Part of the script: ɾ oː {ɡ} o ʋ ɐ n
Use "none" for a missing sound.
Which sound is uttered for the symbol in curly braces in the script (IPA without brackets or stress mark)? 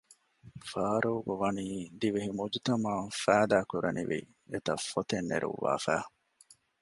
ɡ